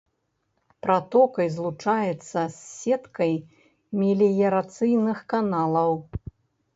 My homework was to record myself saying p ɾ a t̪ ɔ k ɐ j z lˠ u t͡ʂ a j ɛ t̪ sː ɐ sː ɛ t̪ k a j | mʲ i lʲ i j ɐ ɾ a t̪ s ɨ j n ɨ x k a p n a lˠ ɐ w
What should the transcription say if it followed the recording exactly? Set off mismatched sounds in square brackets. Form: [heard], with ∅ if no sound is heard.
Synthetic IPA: p ɾ a t̪ ɔ k ɐ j z lˠ u t͡ʂ a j ɛ t̪ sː ɐ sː ɛ t̪ k [ɐ] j | mʲ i lʲ i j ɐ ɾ a t̪ s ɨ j n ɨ x k a [∅] n a lˠ ɐ w